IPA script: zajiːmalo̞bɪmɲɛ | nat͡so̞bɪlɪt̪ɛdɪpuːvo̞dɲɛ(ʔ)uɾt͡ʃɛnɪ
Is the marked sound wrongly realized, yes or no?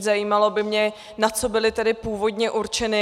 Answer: no